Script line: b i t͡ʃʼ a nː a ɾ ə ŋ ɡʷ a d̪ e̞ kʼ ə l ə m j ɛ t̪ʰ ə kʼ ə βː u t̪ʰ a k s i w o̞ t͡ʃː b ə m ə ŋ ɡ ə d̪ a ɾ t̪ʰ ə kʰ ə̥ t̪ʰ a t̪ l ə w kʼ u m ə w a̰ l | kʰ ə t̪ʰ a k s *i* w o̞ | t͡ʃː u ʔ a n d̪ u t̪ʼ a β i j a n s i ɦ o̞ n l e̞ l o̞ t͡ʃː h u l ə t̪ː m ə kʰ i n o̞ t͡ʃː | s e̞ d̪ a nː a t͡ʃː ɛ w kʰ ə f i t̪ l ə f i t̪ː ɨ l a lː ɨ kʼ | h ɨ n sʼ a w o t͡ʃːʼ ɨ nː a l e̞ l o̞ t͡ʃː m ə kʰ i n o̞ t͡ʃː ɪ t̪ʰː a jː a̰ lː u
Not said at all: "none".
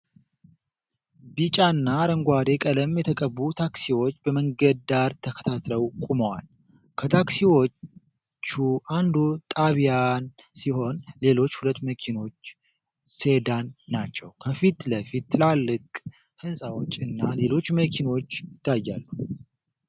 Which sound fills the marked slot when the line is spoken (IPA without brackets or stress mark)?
i